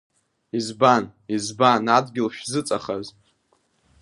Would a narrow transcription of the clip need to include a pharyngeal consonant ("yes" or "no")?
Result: no